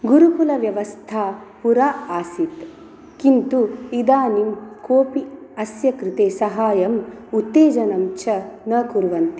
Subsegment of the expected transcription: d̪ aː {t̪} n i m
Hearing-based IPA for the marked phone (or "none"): none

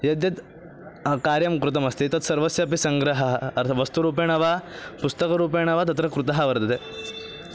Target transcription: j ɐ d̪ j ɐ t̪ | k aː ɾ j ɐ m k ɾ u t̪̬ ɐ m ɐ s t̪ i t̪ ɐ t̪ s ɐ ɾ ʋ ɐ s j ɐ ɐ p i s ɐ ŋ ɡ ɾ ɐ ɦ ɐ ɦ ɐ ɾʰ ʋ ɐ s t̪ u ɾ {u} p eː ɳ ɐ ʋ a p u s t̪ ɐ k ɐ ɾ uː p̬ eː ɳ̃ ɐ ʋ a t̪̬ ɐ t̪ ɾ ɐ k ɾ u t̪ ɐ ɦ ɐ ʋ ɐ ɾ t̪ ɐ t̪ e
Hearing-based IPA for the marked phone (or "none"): uː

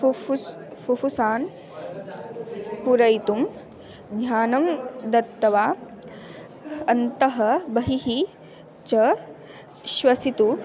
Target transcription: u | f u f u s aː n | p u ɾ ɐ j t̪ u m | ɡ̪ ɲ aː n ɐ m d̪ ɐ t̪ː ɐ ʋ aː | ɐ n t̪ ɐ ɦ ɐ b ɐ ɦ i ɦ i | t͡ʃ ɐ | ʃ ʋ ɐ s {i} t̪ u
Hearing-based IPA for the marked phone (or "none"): i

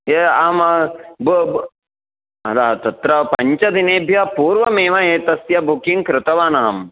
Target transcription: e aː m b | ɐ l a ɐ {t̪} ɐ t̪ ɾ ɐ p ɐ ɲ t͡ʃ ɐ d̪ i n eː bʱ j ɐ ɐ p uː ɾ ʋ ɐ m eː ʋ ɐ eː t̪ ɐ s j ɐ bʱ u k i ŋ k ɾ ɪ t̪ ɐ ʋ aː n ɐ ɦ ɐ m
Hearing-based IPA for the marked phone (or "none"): t̪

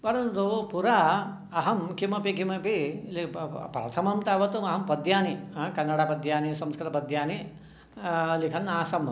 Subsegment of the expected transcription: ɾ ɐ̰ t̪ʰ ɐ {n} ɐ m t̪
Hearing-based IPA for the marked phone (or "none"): m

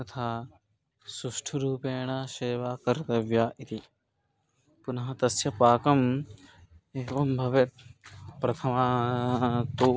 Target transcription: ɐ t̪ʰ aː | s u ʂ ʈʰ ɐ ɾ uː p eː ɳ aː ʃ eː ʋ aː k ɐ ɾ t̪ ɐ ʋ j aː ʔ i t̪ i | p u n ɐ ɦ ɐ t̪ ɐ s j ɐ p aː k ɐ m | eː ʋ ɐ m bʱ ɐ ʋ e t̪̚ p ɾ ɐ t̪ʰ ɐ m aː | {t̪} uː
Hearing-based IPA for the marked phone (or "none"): t̪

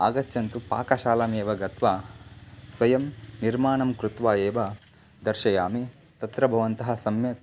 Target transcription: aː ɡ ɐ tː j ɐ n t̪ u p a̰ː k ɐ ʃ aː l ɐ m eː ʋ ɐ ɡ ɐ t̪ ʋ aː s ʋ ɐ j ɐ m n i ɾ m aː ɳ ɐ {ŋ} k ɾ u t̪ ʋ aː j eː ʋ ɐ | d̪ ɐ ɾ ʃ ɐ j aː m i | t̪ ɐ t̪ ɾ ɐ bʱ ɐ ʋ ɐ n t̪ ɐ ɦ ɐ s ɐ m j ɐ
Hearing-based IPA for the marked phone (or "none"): m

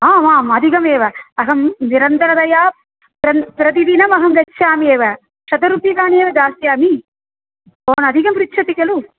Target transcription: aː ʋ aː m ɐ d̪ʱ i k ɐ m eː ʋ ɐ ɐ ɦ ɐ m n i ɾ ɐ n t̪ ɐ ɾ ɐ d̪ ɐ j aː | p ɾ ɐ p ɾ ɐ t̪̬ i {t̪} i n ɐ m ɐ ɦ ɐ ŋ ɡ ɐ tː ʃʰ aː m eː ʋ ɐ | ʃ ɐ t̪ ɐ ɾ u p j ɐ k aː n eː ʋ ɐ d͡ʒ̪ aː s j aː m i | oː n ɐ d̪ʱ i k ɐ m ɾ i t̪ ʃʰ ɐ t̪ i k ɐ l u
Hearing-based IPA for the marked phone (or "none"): d̪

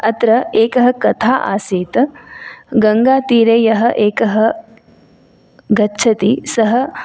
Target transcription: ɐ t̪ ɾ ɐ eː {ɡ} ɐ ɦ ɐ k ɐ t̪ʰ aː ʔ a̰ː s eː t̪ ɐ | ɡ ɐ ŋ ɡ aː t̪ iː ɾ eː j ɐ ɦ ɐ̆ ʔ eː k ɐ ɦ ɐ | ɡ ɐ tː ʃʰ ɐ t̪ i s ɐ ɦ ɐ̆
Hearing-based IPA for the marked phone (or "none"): k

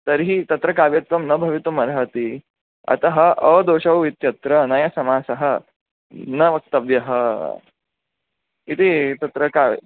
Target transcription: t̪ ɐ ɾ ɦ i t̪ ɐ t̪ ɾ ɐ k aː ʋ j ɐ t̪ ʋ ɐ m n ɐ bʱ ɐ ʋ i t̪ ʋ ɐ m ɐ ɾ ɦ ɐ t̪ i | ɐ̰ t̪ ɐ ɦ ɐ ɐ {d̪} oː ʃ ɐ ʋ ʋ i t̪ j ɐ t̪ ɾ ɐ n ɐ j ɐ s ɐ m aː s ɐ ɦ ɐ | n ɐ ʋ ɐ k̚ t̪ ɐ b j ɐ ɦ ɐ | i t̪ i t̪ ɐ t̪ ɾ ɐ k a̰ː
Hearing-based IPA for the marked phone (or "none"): d̪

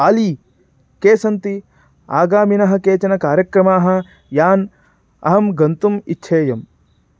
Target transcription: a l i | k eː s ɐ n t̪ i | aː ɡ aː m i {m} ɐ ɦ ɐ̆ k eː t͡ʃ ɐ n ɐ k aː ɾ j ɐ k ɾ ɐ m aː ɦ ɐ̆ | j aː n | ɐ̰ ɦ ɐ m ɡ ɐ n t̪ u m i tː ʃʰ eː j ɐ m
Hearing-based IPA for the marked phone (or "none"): n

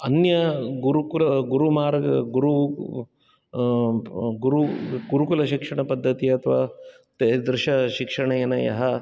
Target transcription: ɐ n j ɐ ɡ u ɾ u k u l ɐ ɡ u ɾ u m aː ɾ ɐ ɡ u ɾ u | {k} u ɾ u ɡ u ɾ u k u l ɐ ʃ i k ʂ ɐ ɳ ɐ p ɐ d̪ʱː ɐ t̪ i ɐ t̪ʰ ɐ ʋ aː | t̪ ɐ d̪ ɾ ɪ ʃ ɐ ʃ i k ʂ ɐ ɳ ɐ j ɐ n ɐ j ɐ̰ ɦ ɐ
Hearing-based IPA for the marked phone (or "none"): ɡ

